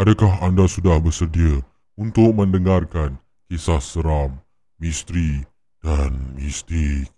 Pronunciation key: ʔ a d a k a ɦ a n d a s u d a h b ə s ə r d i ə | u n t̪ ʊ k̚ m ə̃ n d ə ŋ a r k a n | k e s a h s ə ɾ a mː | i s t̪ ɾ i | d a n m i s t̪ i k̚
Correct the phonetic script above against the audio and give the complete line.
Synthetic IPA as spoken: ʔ a d a k a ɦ a n d a s u d a h b ə s ə r d i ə | u n t̪ ʊ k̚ m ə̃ n d ə ŋ a r k a n | k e s a h s ə ɾ a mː | i s t̪ ɾ i | d a n m i s t̪ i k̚